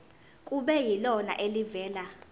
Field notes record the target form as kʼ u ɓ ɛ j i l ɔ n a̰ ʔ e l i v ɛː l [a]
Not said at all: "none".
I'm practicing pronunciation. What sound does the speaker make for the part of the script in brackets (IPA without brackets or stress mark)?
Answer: a